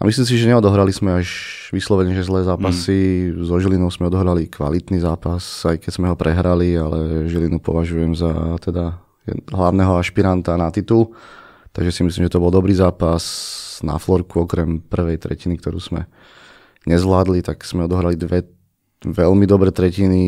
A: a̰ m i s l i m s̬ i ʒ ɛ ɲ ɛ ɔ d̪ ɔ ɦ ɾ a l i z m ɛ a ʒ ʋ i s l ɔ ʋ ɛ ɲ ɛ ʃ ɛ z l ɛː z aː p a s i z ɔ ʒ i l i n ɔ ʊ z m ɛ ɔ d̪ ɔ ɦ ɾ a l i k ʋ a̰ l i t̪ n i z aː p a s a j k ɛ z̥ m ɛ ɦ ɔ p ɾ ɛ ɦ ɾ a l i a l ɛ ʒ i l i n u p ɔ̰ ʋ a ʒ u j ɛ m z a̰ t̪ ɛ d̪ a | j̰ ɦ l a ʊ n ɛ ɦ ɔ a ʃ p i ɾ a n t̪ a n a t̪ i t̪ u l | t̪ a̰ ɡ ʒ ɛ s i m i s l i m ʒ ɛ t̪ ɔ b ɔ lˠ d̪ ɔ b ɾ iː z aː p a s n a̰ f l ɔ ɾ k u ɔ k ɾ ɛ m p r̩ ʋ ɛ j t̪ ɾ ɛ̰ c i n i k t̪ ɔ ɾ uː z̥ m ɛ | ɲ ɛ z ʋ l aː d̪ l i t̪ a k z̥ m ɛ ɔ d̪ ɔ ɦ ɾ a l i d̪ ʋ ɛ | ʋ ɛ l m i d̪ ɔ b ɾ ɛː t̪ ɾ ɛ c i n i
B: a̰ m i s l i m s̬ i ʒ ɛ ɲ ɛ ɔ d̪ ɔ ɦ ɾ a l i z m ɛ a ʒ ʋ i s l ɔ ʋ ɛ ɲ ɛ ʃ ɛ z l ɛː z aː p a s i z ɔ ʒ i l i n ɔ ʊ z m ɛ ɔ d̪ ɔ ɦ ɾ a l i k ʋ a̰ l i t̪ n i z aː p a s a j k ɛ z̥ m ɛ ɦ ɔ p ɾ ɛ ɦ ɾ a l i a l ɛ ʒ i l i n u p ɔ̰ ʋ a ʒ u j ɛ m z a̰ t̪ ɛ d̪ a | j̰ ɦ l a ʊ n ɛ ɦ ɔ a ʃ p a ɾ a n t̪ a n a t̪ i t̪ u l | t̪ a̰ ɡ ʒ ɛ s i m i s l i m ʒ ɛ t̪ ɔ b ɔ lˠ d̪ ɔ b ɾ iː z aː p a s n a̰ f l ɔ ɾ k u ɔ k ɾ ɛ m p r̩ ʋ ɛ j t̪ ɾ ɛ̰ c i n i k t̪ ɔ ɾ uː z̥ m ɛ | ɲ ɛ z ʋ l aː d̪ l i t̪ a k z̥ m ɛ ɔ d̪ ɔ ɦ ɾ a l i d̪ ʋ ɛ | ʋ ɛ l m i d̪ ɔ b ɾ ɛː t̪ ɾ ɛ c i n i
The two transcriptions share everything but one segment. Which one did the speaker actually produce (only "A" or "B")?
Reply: A